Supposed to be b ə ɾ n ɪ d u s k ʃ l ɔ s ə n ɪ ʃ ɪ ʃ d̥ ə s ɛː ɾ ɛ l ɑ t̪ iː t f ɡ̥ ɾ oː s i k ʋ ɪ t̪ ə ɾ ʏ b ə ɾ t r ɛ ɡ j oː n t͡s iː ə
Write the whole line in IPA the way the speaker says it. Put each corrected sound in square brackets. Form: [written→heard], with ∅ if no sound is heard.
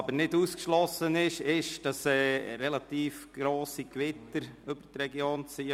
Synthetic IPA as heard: b ə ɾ n ɪ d u s k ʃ l ɔ s ə n ɪ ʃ ɪ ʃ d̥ [ə→ɑ] s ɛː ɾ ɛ l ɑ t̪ iː [t→∅] f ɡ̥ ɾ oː s i k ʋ ɪ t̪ ə ɾ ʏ b ə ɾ t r ɛ ɡ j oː n t͡s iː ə